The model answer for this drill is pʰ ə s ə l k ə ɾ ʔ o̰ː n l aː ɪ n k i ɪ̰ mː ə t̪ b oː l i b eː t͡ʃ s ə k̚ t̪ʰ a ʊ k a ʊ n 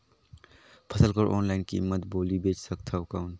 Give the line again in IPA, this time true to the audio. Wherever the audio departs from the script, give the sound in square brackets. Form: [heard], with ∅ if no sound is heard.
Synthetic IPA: pʰ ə s ə l k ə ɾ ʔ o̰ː n l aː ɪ n k i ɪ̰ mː ə t̪ b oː l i b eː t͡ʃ s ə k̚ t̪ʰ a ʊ k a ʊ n